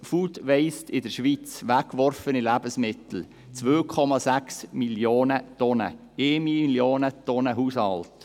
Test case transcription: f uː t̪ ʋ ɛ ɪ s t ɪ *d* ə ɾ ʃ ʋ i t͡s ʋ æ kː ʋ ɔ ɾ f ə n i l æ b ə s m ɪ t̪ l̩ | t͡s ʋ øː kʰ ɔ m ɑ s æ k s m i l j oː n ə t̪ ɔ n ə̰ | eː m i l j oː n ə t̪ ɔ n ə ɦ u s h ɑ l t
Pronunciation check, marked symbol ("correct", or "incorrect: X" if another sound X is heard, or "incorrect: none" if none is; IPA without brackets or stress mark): correct